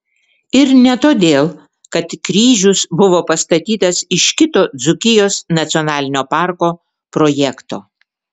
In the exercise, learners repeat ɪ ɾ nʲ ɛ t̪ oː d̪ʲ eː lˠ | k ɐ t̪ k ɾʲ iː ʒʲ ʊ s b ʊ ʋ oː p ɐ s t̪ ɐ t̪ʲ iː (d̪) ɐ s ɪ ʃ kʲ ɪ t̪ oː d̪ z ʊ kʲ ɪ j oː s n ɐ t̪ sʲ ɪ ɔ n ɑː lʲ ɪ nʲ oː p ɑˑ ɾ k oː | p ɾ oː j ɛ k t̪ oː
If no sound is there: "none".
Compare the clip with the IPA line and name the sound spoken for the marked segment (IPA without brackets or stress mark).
t̪